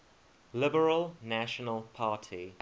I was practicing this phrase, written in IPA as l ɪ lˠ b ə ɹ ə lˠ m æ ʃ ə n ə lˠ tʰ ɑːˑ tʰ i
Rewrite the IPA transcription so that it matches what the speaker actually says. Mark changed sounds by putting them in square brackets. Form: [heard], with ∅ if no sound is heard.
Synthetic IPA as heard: l ɪ [∅] b ə ɹ ə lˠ [n] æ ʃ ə n ə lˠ [pʰ] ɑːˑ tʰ i